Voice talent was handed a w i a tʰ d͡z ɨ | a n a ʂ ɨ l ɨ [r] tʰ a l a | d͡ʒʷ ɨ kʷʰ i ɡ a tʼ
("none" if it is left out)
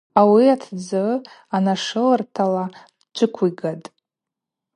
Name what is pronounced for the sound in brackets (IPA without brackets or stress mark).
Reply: r